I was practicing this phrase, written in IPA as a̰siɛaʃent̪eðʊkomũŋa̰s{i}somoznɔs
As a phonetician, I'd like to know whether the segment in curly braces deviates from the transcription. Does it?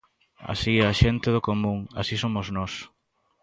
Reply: no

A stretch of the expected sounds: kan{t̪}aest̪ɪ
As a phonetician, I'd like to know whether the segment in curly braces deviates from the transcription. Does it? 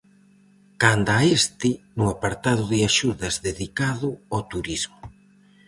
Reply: yes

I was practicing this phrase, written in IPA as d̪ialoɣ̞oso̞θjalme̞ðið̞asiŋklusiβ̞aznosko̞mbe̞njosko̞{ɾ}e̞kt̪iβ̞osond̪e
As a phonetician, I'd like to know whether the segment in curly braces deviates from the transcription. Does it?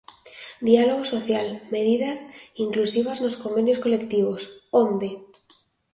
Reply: yes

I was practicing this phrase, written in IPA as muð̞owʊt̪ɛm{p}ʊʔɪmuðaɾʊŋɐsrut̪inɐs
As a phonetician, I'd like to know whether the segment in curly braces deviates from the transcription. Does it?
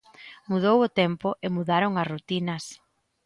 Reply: no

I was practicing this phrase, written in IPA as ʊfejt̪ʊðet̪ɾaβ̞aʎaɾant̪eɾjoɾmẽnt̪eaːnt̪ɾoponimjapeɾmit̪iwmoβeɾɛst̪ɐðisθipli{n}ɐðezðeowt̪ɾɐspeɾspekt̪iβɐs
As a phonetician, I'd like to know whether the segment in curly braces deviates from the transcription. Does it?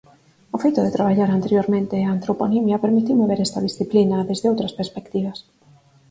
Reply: no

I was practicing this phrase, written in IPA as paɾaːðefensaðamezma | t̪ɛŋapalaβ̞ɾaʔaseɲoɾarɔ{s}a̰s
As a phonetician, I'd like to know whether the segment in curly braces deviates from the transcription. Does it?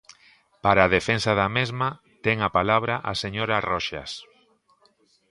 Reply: yes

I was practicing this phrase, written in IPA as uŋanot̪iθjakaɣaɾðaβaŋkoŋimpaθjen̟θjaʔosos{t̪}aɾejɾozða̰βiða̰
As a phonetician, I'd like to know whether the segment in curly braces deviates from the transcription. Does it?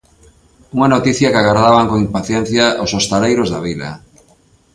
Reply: no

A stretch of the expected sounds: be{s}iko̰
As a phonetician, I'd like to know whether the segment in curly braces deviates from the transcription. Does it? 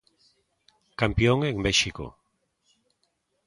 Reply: yes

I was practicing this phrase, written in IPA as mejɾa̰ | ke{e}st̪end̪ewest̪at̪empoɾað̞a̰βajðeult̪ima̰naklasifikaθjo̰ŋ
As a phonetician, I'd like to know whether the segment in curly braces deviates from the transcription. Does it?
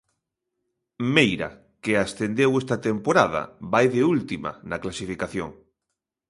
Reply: yes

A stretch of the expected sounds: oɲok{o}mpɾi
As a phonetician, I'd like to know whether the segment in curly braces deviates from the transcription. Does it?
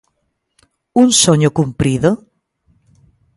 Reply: yes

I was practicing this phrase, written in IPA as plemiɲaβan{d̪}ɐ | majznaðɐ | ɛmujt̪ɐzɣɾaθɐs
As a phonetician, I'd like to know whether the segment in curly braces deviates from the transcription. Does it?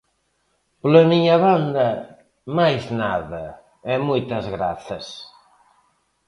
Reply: no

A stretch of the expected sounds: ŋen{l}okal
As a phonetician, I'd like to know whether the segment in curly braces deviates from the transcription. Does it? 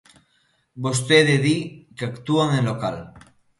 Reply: no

